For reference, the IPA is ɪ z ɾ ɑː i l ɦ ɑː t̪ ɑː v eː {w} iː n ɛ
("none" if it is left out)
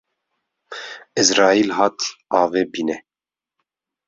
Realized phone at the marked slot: b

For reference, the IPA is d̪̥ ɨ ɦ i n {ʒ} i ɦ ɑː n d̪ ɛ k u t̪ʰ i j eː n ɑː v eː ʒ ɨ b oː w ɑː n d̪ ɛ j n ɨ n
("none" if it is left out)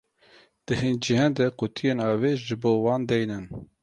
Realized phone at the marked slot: d͡ʒ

